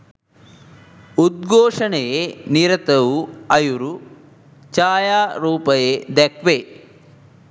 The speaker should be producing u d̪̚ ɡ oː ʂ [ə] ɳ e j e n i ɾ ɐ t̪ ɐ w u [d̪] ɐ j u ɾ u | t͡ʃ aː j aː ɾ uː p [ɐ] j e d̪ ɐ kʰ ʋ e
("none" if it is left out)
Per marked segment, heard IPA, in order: ɐ, none, ɐ

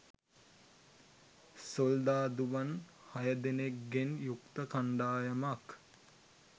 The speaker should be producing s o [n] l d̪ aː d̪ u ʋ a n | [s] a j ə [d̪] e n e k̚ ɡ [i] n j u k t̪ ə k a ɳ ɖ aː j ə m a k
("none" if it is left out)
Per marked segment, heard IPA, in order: none, h, d̪, e

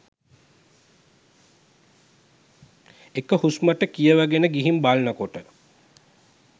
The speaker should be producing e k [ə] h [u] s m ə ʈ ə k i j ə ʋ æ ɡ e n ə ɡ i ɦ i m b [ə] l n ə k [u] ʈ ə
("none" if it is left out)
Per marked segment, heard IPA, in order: ə, u, a, o

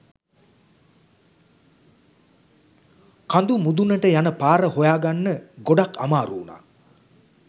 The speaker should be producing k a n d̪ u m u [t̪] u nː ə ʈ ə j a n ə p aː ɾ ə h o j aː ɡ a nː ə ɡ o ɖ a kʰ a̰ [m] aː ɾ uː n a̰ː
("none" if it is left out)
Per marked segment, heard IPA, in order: d̪, m

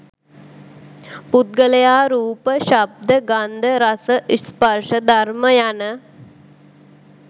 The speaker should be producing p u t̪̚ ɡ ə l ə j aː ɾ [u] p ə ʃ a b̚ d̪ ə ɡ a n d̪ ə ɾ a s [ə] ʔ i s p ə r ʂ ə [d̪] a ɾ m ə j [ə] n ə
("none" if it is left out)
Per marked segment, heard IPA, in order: uː, ə, d̪, a

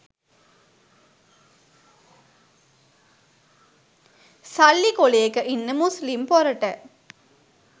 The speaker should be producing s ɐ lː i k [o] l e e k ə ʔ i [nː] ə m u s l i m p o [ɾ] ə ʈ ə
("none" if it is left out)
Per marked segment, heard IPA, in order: o, nː, ɾ

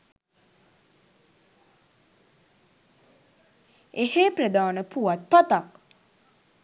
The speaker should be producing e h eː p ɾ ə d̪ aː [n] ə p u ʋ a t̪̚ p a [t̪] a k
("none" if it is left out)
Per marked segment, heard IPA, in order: n, t̪

